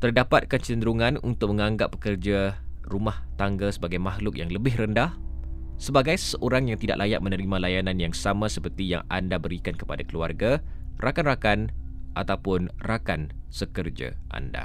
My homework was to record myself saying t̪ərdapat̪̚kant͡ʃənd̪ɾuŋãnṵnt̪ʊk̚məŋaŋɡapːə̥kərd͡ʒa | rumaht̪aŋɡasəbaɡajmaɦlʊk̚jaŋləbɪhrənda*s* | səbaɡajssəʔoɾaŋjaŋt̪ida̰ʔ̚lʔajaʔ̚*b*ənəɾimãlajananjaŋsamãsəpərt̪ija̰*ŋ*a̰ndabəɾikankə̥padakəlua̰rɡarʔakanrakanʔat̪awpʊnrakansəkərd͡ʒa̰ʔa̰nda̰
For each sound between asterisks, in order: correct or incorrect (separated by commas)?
incorrect, incorrect, correct